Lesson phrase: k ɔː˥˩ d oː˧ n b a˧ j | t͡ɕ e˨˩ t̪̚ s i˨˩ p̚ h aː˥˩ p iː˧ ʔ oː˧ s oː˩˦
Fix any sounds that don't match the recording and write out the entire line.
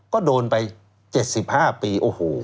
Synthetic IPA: k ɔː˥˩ d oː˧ n p a˧ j | t͡ɕ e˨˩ t̪̚ s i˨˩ p̚ h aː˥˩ p iː˧ ʔ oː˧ h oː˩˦